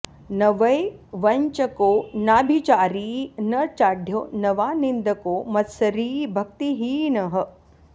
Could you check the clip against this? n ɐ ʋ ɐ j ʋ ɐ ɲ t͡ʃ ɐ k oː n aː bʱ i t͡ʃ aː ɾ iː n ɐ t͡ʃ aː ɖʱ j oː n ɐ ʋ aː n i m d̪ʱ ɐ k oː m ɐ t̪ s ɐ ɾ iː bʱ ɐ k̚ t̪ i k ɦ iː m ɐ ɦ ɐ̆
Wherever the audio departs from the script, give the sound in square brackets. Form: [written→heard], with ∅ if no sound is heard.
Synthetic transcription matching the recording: n ɐ ʋ ɐ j ʋ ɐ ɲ t͡ʃ ɐ k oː n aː bʱ i t͡ʃ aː ɾ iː n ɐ t͡ʃ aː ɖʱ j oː n ɐ ʋ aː n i [m→n] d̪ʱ ɐ k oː m ɐ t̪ s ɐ ɾ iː bʱ ɐ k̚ t̪ i [k→∅] ɦ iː [m→n] ɐ ɦ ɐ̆